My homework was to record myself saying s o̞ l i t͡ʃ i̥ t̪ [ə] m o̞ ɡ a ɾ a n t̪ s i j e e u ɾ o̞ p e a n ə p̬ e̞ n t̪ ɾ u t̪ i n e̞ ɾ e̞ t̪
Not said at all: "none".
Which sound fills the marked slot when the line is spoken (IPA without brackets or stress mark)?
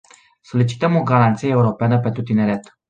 ə